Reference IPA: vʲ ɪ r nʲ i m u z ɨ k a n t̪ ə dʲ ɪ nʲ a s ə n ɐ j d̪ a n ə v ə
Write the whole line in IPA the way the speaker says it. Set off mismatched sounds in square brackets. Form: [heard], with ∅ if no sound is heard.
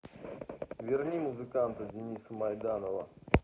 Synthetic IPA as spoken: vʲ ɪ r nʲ i m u z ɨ k a n t̪ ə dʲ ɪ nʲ [i] s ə [m] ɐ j d̪ a n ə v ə